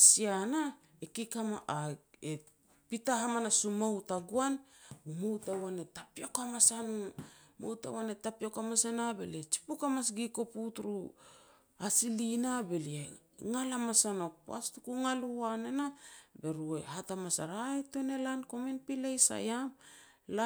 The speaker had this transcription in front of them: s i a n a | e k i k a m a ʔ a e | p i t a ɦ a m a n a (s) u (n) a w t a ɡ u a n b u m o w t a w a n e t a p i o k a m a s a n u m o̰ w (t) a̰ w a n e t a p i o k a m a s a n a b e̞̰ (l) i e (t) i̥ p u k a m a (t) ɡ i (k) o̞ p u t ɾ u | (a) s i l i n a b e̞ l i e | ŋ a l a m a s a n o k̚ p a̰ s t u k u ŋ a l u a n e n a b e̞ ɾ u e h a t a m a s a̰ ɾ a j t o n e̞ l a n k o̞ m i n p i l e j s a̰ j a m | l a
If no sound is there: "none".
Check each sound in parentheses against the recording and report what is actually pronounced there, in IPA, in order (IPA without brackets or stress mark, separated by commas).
s, m, t, l, t͡ʃ, s, k, a